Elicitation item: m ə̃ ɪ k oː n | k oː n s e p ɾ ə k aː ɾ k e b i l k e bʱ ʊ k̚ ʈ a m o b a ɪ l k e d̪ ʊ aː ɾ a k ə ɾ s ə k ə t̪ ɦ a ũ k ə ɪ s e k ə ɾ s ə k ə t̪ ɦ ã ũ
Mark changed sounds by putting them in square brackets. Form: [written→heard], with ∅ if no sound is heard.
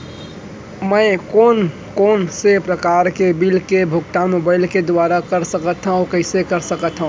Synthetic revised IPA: m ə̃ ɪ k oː n | k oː n s e p ɾ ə k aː ɾ k e b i l k e bʱ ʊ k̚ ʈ a m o b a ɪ l k e d̪ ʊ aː ɾ a k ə ɾ s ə k ə t̪ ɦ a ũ k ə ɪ s e k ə ɾ s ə k ə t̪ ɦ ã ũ